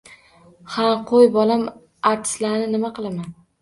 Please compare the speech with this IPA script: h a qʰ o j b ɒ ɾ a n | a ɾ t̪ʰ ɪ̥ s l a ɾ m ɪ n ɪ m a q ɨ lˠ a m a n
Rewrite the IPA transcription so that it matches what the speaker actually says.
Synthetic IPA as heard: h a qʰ o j b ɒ l a m | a ɾ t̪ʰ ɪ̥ s l a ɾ n ɪ n ɪ m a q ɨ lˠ a m a n